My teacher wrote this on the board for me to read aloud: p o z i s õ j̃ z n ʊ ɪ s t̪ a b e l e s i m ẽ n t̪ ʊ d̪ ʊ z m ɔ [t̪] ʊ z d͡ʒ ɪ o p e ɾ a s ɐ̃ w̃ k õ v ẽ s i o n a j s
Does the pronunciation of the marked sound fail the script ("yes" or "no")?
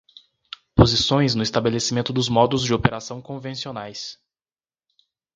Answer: yes